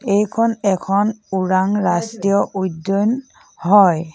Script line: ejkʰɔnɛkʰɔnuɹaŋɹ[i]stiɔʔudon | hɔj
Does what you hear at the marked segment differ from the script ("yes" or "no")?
yes